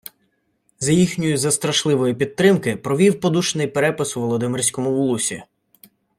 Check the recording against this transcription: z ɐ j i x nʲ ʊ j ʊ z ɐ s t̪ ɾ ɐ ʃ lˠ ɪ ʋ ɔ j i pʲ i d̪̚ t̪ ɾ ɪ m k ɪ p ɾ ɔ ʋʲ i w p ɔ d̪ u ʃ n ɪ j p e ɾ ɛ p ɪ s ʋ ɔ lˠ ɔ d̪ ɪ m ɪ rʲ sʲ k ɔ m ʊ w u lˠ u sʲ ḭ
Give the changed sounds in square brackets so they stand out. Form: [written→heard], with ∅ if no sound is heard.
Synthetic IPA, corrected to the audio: z ɐ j i x nʲ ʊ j ʊ z ɐ s t̪ ɾ ɐ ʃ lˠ ɪ ʋ ɔ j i pʲ i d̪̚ t̪ ɾ ɪ m k ɪ p ɾ ɔ ʋʲ i w p ɔ d̪ u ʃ n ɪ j p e ɾ ɛ p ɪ s ʋ ɔ lˠ ɔ d̪ ɪ m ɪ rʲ sʲ k ɔ m ʊ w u lˠ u sʲ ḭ